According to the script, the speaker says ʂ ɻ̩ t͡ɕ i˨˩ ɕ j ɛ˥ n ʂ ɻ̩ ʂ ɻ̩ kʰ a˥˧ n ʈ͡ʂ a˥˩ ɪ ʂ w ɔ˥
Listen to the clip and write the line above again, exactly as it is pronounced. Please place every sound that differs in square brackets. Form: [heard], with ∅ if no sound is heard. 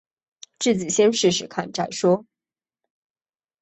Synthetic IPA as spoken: [ʈ͡ʂ] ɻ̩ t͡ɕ i˨˩ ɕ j ɛ˥ n ʂ ɻ̩ ʂ ɻ̩ kʰ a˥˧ n ʈ͡ʂ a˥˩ ɪ ʂ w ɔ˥